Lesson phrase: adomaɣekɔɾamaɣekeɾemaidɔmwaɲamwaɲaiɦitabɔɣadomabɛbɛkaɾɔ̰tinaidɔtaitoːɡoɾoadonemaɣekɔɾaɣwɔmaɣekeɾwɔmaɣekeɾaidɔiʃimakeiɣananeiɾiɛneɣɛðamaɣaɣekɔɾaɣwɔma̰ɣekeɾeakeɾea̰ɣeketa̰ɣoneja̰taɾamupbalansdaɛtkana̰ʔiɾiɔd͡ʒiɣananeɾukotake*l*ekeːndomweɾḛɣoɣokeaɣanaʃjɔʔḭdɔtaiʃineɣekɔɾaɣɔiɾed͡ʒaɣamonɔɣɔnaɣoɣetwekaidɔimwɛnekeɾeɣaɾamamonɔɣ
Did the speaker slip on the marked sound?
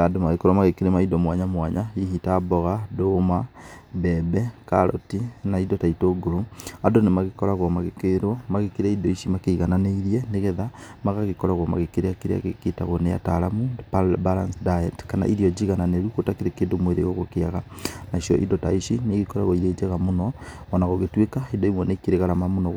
yes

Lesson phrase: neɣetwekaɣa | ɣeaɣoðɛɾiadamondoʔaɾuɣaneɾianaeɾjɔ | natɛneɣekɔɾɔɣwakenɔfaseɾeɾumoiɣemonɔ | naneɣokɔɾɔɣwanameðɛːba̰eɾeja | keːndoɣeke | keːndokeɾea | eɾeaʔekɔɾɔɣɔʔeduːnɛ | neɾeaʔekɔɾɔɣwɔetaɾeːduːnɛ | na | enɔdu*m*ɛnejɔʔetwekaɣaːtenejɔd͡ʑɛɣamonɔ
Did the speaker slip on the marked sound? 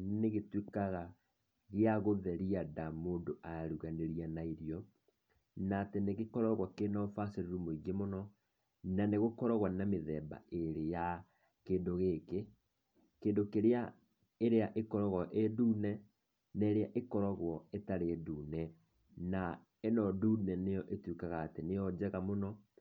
yes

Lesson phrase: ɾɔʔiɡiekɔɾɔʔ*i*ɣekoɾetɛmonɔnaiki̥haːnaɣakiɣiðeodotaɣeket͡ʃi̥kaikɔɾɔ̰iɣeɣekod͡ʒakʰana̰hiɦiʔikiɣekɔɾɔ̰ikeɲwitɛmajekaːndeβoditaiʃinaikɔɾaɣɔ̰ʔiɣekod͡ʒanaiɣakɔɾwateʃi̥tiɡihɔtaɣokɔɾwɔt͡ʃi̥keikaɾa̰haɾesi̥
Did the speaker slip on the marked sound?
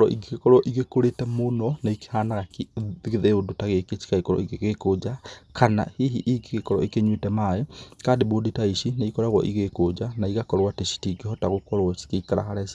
no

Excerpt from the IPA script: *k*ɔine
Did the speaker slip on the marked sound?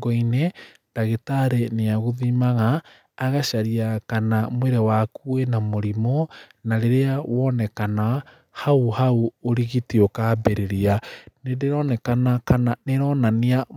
yes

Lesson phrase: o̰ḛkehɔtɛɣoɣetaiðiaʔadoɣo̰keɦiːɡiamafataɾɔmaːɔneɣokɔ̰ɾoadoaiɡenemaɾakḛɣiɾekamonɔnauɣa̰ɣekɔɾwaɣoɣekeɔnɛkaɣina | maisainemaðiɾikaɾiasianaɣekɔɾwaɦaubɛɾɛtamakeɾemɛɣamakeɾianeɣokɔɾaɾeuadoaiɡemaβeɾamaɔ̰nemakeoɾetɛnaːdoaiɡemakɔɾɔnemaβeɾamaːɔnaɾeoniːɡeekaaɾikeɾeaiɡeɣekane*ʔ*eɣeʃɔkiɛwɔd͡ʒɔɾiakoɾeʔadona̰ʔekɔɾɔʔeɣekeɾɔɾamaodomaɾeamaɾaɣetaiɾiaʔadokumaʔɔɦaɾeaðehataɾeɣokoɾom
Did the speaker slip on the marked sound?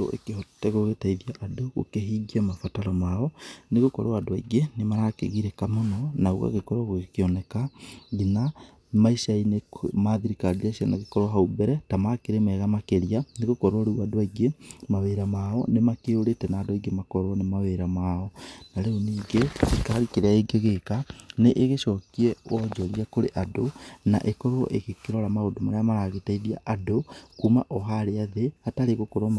no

